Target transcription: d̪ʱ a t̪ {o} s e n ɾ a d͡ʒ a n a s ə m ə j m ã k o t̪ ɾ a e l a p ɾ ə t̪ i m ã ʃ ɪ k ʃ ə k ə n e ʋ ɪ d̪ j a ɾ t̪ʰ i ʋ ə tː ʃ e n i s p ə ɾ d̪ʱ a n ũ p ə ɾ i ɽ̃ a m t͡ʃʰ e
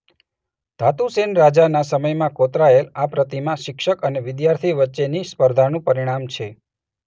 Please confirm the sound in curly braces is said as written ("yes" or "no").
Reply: no